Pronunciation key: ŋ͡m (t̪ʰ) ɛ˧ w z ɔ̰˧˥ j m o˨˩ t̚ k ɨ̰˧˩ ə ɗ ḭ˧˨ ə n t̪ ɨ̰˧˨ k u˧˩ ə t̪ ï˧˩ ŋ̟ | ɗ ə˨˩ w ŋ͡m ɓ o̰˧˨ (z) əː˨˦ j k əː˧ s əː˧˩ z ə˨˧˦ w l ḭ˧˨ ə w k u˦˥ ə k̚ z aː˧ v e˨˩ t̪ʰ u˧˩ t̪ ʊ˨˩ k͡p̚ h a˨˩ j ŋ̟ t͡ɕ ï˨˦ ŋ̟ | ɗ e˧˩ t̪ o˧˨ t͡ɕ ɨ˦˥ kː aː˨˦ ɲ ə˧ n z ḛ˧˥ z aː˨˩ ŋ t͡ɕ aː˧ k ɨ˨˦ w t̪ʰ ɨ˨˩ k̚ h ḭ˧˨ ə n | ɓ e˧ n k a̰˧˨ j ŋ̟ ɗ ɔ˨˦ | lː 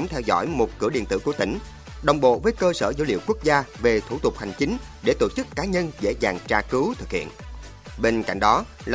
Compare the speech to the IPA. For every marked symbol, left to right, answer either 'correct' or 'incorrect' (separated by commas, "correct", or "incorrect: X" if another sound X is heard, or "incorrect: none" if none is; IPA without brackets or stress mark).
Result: correct, incorrect: v